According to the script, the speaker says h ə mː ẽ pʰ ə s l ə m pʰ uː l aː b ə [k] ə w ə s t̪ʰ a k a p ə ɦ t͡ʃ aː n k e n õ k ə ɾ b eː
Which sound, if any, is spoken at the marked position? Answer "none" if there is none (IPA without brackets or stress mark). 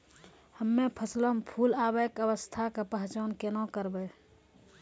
k